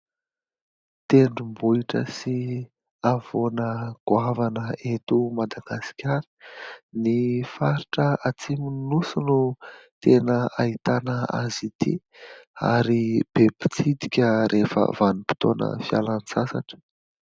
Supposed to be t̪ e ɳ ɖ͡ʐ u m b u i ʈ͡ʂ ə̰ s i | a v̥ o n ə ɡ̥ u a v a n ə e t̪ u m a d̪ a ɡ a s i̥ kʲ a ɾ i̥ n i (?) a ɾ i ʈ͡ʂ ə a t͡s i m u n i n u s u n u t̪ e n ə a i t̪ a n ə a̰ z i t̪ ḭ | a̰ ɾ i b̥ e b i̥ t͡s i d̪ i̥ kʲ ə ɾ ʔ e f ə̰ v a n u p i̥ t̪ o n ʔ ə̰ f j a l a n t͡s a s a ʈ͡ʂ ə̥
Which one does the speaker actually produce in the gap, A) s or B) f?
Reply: B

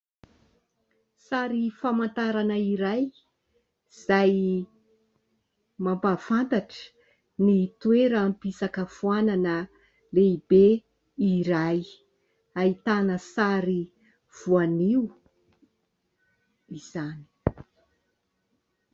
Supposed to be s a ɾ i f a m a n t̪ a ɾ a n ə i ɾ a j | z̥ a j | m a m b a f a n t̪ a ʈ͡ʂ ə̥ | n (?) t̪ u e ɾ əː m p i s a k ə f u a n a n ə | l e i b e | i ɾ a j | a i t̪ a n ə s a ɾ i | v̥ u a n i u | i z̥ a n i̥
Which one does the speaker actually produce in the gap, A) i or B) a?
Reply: A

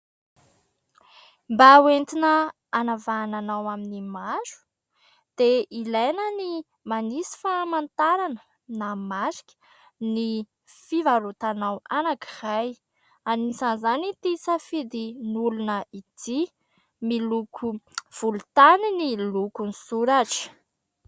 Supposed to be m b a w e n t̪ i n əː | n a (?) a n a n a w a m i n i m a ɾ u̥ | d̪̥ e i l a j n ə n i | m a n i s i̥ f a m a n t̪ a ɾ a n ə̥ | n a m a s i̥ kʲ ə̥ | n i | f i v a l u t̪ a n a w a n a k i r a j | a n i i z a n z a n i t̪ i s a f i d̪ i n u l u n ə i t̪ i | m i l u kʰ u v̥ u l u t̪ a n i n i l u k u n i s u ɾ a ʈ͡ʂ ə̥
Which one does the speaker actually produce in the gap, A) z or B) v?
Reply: B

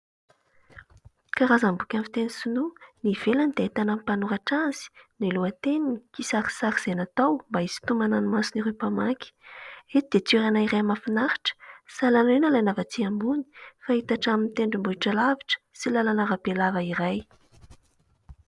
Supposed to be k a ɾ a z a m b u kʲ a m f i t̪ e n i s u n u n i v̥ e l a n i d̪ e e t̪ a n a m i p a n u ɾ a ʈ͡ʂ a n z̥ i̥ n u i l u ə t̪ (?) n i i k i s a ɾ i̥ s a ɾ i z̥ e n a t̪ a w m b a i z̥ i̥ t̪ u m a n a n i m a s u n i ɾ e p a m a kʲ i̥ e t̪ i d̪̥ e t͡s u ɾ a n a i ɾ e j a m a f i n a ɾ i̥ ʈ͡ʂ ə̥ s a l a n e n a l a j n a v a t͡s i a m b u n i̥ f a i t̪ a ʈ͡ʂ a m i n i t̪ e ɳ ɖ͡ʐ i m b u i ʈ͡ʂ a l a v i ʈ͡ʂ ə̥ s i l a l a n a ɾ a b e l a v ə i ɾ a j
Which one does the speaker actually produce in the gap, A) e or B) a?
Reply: A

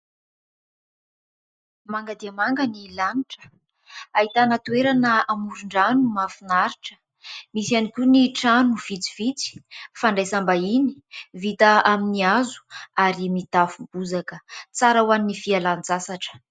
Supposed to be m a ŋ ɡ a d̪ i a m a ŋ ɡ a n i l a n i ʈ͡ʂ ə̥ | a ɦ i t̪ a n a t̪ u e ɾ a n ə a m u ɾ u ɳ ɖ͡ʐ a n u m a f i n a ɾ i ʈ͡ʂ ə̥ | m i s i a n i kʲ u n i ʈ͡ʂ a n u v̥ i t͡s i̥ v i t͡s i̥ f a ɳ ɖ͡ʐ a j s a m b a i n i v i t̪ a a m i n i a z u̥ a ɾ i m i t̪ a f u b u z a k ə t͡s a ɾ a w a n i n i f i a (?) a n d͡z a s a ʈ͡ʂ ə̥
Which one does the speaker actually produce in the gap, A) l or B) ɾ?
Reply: A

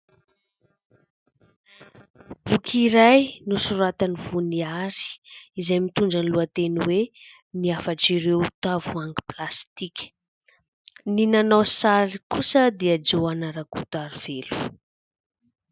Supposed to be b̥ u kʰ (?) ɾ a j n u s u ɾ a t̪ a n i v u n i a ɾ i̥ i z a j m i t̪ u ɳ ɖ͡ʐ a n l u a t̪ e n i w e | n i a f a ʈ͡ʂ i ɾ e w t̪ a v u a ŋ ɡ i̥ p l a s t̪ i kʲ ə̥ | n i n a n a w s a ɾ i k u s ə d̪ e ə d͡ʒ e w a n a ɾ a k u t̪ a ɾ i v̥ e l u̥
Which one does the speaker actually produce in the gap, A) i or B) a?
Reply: A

